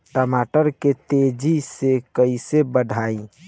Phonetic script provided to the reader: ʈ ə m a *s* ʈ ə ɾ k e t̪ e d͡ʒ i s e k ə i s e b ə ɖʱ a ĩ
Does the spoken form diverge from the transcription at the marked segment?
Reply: yes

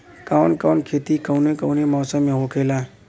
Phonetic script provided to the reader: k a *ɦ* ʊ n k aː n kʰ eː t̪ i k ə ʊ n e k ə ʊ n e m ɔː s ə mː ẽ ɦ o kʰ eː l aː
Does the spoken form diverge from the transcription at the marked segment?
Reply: yes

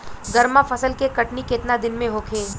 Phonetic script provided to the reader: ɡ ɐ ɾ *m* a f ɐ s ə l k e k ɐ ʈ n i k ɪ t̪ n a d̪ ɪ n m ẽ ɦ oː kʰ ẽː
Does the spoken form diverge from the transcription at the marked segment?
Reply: no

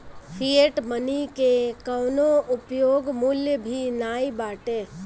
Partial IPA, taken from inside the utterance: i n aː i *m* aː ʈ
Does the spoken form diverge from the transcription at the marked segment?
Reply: yes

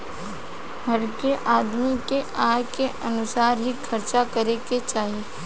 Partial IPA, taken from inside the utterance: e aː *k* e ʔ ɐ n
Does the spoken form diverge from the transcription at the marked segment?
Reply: no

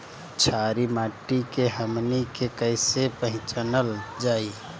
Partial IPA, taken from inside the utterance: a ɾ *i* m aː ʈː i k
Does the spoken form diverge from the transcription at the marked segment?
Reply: no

